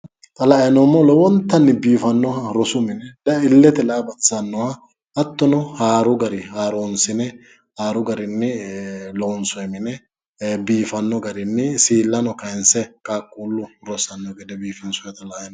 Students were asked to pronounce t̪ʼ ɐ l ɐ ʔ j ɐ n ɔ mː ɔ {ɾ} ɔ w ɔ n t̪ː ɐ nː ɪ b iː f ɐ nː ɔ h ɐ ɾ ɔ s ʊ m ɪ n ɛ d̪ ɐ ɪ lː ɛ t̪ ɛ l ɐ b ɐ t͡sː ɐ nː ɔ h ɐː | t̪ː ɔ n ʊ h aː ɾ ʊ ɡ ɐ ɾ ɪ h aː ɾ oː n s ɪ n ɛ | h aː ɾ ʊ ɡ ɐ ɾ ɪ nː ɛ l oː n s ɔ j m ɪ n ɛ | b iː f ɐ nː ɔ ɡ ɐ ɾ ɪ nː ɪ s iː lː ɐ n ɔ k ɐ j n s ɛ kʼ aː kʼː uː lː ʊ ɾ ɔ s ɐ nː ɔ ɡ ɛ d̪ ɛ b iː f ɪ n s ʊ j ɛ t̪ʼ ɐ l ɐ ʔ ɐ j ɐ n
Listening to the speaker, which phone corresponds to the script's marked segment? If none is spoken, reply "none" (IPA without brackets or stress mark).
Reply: l